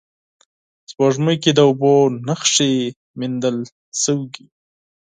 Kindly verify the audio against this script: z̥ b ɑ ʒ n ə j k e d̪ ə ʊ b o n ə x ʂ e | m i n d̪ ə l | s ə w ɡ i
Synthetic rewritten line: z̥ b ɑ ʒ m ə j k e d̪ ə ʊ b o n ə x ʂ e | m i n d̪ ə l | s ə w ɡ i